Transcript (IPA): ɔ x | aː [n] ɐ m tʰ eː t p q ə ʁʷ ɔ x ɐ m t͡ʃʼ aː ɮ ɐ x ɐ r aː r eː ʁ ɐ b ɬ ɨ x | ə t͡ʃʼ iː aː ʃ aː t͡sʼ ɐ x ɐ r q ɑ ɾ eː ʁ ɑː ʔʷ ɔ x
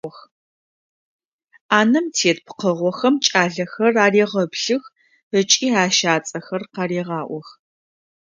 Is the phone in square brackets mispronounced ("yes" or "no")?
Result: no